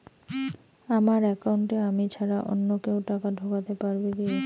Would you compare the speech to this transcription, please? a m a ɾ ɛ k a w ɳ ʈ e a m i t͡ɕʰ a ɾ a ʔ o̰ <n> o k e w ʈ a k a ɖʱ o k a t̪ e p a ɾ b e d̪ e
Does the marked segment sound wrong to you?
yes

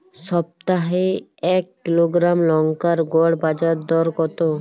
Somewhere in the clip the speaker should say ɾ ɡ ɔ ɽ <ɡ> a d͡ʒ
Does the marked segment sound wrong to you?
yes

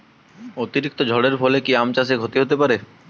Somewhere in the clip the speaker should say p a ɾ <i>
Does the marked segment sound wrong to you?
yes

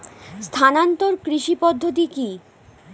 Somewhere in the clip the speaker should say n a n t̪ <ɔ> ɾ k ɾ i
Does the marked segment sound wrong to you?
yes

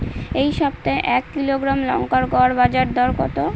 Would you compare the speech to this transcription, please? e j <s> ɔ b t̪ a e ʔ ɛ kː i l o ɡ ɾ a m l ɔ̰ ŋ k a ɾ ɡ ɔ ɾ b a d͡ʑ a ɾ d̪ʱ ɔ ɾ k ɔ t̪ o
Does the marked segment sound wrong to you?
yes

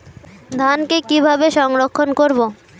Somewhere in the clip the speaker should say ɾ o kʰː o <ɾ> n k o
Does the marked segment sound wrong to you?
yes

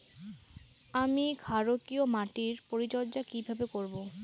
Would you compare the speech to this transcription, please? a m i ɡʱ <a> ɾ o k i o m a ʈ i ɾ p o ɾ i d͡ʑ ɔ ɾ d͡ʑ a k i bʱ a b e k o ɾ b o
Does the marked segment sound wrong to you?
no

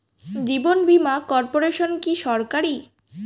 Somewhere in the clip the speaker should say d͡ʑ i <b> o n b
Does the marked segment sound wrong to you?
no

